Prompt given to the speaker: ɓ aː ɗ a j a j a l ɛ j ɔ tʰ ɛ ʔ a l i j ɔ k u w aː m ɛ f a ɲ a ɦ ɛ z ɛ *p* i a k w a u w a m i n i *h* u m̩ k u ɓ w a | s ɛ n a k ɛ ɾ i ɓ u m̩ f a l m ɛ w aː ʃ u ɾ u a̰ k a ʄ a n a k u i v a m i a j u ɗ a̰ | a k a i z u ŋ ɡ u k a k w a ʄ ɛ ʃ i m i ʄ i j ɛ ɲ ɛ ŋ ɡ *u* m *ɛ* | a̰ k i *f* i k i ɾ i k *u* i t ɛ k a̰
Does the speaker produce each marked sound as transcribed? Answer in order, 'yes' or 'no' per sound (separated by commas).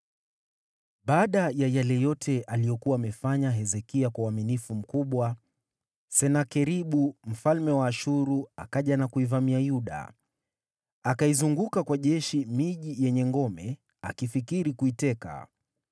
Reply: no, no, no, yes, yes, yes